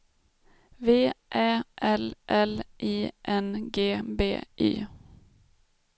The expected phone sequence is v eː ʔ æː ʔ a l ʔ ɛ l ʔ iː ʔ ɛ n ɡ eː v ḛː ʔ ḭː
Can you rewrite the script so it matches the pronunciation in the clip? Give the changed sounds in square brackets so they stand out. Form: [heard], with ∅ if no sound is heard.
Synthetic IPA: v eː ʔ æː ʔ [ɛ] l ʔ ɛ l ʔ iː ʔ ɛ n ɡ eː [b] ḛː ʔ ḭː